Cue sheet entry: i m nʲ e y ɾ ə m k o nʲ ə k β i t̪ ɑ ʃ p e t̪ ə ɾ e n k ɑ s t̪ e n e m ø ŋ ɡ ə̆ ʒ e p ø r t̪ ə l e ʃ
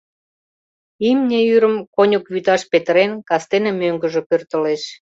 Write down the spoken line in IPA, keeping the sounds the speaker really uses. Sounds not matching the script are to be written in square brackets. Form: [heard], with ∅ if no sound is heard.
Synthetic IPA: i m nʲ e y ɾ ə m k o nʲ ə k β [y] t̪ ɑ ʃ p e t̪ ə ɾ e n k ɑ s t̪ e n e m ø ŋ ɡ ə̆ ʒ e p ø r t̪ ə l e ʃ